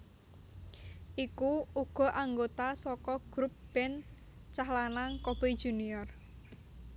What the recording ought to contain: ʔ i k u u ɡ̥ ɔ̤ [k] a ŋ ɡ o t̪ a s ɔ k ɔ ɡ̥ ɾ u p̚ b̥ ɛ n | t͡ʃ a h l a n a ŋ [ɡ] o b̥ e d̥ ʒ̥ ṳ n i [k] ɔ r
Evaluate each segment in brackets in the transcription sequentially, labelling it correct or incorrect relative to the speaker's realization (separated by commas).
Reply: incorrect, incorrect, incorrect